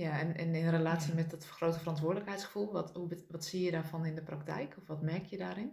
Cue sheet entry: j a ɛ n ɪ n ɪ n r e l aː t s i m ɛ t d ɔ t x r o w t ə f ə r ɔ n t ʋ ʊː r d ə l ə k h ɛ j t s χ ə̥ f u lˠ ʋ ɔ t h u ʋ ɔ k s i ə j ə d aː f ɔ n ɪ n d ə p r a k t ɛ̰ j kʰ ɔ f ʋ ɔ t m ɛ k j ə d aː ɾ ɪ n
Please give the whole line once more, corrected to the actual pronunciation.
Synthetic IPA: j a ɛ n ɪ n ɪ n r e l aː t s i m ɛ t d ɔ t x r o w t ə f ə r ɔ n t ʋ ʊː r d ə l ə k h ɛ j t s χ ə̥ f u lˠ ʋ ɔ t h u ʋ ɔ t s i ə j ə d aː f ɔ n ɪ n d ə p r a k t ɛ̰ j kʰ ɔ f ʋ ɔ t m ɛ k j ə d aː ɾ ɪ n